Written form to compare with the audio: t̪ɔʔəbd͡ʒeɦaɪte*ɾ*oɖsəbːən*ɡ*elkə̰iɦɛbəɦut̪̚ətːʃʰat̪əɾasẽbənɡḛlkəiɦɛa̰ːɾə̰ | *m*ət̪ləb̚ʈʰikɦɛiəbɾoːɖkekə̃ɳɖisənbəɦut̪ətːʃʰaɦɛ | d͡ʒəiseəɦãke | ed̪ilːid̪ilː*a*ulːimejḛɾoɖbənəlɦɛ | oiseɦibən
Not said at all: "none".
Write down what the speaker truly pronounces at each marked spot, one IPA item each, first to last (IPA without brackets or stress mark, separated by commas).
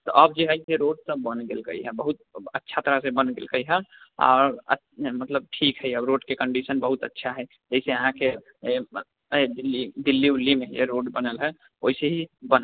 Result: ɾ, ɡ, m, i